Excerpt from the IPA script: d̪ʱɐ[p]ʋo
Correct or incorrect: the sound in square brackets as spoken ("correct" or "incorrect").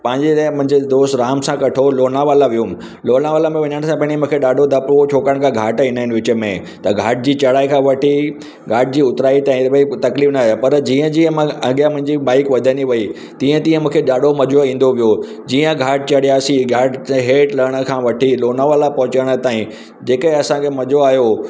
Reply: correct